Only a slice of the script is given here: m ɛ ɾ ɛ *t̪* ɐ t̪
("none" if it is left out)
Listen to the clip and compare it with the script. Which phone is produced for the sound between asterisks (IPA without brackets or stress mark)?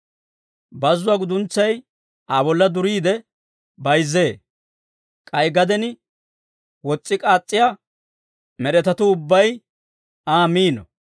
t̪